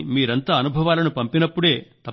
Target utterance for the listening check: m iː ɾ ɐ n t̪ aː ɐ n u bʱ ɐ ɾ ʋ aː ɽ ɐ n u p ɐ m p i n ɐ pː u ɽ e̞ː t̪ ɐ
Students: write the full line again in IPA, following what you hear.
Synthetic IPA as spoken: m iː ɾ ɐ n t̪ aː ɐ n u bʱ ɐ ʋ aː l ɐ n u p ɐ m p i n ɐ pː u ɽ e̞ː t̪ ɐ